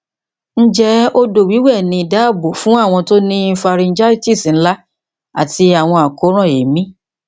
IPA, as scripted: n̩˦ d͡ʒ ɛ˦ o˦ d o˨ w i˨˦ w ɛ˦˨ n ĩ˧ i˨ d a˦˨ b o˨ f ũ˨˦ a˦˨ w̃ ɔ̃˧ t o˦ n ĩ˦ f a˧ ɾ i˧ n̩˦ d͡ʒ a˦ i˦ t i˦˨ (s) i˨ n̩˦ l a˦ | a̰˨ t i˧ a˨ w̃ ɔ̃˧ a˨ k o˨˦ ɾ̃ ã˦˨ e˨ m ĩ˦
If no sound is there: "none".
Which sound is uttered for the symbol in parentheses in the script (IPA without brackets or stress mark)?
s